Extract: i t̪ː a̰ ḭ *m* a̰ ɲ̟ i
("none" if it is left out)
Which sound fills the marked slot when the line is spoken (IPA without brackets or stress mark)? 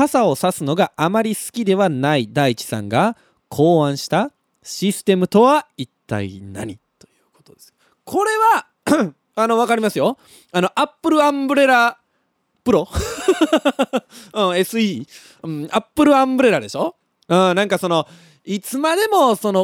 n